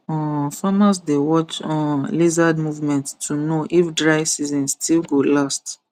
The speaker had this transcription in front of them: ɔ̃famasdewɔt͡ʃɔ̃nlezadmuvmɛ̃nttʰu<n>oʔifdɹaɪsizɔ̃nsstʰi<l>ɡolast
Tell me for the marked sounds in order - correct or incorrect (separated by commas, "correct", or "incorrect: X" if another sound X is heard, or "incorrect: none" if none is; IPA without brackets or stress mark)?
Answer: correct, correct